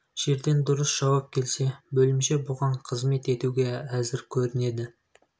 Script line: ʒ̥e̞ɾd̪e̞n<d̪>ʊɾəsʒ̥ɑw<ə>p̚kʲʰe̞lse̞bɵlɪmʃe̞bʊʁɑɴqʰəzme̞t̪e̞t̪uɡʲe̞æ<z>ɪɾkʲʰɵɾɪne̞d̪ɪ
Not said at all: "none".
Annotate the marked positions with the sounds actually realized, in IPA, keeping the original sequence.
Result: d̪, ɑ, z

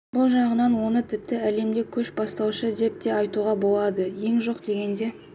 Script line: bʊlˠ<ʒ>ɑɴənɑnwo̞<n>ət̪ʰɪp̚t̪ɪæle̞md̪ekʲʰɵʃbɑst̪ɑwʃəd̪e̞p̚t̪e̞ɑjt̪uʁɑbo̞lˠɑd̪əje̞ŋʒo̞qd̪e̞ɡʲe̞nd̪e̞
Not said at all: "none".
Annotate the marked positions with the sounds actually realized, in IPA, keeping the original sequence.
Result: ʒ, n

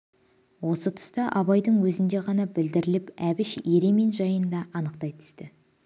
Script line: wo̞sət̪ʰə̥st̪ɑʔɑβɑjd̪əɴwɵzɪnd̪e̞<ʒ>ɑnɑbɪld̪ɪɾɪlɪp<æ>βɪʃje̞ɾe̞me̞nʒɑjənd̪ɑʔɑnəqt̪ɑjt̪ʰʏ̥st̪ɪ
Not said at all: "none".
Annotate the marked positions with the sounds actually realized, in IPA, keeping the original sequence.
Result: ʁ, æ

